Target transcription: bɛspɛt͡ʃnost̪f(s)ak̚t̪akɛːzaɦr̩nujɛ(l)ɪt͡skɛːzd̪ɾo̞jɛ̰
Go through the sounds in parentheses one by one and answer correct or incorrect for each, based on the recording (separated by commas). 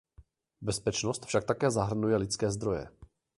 incorrect, correct